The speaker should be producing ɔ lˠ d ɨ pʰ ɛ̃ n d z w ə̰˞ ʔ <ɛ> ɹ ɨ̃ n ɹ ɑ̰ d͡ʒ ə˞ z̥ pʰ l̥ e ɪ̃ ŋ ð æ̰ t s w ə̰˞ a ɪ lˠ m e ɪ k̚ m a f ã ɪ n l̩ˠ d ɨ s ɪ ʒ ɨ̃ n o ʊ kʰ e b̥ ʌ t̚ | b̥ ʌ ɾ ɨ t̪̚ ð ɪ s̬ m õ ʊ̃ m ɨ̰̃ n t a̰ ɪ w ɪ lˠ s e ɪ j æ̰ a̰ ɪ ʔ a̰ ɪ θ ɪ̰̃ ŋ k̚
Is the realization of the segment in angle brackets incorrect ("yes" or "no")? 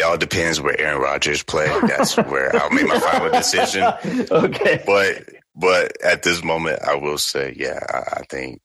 no